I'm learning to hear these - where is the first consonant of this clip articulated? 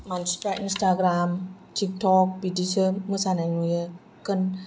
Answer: lips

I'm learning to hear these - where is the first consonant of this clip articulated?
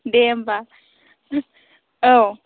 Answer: tongue tip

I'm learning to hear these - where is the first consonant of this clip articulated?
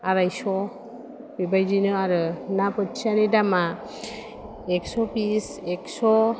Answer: tongue tip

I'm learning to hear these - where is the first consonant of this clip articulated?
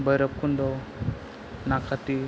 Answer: lips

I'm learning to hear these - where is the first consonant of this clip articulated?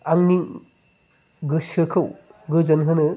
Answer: velum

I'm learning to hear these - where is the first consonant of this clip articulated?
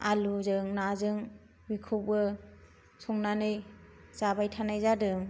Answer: tongue tip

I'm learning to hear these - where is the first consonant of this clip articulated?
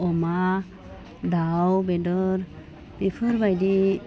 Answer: lips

